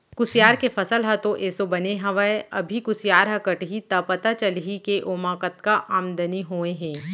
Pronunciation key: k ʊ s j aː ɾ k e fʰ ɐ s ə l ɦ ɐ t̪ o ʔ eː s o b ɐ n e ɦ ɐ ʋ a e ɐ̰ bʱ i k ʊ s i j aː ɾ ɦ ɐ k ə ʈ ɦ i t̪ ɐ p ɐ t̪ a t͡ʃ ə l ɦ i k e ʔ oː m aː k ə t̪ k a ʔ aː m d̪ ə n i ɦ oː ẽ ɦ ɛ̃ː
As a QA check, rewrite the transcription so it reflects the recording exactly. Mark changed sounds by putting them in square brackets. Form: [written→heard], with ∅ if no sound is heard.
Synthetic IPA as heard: k ʊ s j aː ɾ k e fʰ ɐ s ə l ɦ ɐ t̪ o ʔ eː s o b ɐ n e ɦ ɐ ʋ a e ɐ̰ bʱ i k ʊ s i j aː ɾ ɦ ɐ k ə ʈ ɦ i t̪ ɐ p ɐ t̪ a t͡ʃ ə l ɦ i k e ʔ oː m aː k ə t̪ k a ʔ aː m d̪ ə n i ɦ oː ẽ ɦ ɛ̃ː